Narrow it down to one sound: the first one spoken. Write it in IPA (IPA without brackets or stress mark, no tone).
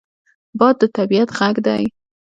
b